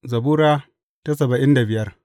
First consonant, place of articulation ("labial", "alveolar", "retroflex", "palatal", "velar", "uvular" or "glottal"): alveolar